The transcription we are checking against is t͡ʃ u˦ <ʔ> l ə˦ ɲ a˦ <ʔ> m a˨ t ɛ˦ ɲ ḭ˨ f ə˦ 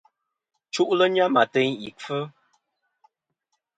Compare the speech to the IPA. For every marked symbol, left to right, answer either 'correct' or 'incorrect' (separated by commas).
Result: correct, incorrect